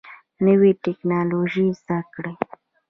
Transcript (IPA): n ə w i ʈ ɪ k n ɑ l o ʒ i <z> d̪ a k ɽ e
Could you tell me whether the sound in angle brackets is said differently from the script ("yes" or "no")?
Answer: no